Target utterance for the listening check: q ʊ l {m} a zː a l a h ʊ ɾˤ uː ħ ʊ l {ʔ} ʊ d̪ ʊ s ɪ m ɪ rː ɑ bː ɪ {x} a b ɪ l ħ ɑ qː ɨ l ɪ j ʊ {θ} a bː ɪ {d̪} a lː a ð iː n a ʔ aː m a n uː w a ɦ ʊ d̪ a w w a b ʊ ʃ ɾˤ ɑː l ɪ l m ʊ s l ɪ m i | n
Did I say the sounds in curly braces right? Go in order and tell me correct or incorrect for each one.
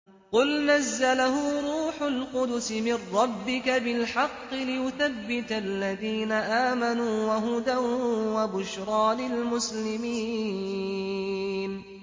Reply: incorrect: n, incorrect: q, incorrect: k, correct, incorrect: t̪

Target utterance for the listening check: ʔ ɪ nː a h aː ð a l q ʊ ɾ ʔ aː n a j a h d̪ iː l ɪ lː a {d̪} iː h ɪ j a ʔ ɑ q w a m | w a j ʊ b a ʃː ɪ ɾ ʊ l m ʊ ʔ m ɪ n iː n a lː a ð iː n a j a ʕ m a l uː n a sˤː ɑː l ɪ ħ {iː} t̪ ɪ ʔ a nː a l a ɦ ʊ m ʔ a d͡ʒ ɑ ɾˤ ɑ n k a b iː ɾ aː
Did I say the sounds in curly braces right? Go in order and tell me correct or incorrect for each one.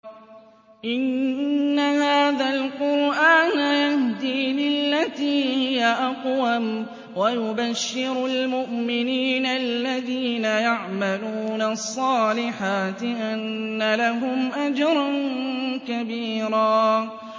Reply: incorrect: t̪, incorrect: aː

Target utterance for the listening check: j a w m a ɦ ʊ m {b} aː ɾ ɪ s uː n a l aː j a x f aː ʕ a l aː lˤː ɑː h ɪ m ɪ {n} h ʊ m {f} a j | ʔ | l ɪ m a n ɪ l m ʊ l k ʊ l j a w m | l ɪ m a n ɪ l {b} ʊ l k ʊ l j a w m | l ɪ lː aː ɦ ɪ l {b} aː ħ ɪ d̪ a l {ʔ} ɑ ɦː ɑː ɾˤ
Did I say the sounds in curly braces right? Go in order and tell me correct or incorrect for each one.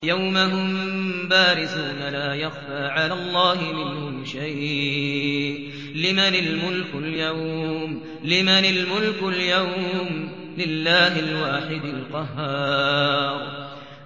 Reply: correct, correct, incorrect: ʃ, incorrect: m, incorrect: w, incorrect: q

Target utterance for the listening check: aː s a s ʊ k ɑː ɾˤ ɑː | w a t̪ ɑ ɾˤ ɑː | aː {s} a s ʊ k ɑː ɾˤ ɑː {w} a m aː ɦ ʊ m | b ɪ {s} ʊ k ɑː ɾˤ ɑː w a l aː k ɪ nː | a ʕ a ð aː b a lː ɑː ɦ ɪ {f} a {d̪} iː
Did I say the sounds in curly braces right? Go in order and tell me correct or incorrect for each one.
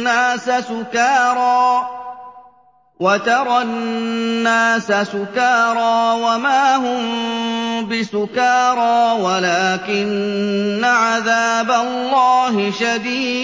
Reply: correct, correct, correct, incorrect: ʃ, correct

